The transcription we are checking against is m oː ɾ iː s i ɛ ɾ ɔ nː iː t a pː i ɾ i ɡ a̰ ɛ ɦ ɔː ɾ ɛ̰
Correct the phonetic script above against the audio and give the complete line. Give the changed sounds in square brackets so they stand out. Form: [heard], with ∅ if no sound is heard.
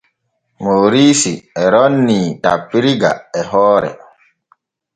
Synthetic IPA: m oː ɾ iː s i ɛ ɾ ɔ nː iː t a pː i ɾ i ɡ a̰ ɛ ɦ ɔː ɾ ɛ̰